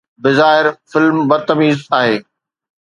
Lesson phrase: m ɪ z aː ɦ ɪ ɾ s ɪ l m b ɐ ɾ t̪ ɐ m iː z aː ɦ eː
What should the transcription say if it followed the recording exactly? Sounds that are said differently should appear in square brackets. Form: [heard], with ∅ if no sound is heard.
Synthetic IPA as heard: [b] ɪ z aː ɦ ɪ ɾ [f] ɪ l m b ɐ ɾ t̪ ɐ m iː z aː ɦ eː